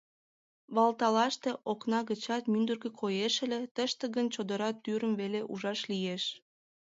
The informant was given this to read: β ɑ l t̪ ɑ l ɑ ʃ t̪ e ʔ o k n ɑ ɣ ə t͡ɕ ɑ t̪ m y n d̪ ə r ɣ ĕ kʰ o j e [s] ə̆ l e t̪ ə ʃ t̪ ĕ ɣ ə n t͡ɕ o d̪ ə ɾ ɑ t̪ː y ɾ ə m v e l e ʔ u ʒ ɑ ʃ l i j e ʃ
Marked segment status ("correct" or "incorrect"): incorrect